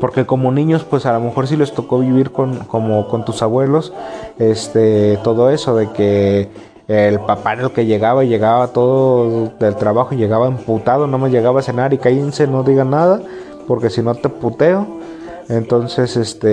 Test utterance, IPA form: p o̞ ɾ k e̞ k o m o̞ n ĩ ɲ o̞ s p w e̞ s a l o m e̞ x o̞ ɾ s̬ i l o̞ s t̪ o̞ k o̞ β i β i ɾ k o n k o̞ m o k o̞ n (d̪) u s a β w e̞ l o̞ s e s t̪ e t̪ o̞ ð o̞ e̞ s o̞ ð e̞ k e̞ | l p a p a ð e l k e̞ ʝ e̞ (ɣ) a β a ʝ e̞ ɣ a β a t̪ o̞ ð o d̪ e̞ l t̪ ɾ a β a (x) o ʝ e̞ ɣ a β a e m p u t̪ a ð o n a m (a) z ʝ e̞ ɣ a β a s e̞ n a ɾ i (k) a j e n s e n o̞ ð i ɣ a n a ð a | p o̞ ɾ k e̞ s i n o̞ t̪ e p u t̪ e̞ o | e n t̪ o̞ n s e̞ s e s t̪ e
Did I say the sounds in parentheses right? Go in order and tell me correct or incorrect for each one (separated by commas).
incorrect, correct, correct, correct, correct